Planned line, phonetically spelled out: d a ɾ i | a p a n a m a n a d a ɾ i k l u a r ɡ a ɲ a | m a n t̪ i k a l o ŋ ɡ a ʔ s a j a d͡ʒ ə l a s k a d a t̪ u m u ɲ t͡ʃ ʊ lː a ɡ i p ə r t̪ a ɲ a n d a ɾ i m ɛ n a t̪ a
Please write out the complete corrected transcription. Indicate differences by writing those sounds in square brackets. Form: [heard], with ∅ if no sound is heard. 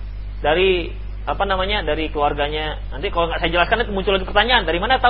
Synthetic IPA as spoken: d a ɾ i | a p a n a m a [ɲ] a d a ɾ i k l u a r ɡ a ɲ a | [n] a n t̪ i k a l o ŋ ɡ a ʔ s a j a d͡ʒ ə l a s k a [n] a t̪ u m u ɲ t͡ʃ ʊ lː a ɡ i p ə r t̪ a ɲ a n d a ɾ i m [a] n a t̪ a